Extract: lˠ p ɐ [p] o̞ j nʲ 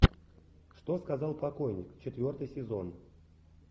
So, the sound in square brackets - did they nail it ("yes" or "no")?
no